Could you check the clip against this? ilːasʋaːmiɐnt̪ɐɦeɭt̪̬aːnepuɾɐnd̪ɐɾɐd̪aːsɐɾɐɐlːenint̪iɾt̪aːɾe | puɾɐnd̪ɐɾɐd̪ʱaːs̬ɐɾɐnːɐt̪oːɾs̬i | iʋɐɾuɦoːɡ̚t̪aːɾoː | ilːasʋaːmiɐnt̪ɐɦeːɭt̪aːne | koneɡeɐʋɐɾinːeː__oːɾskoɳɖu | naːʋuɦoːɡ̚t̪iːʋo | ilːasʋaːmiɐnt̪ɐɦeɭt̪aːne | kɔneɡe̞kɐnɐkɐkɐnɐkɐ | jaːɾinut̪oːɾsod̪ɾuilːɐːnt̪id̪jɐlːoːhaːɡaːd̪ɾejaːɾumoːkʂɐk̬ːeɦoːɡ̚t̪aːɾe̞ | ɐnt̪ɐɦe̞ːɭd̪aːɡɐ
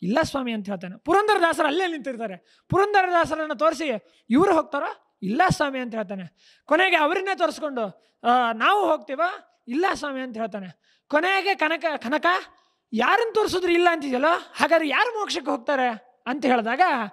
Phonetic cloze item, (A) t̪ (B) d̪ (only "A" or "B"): A